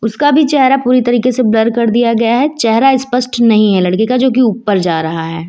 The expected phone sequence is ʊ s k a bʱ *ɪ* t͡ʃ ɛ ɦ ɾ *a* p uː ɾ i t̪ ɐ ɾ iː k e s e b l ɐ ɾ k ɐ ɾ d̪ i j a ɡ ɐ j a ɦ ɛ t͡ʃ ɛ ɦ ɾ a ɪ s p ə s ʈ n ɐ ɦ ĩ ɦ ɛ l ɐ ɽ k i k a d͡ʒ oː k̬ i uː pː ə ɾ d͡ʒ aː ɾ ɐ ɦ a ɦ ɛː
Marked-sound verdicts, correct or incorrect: incorrect, correct

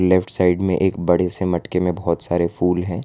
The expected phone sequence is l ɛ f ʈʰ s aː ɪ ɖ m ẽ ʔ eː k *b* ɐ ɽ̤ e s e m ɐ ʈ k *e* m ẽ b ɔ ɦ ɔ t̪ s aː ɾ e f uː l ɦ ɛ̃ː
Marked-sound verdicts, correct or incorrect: correct, correct

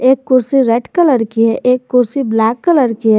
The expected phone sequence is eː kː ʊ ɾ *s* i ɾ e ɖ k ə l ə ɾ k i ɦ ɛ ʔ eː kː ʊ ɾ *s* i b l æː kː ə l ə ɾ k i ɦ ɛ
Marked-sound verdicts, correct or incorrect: correct, correct

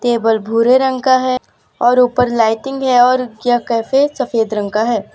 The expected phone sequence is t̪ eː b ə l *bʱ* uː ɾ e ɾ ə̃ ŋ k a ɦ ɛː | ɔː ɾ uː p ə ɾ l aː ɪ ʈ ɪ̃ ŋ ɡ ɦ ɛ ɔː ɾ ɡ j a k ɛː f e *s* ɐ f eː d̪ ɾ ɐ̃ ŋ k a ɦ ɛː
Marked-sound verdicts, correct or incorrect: correct, correct

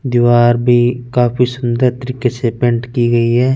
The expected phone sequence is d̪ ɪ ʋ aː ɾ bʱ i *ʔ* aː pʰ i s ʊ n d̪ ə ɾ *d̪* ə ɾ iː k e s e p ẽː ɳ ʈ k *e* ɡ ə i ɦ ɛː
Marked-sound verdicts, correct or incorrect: incorrect, incorrect, incorrect

